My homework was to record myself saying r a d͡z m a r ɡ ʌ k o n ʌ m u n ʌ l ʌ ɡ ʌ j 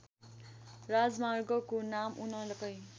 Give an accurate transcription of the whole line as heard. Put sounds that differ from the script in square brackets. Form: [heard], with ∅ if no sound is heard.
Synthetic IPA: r a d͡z m a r ɡ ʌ k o n [a] m u n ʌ l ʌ [k] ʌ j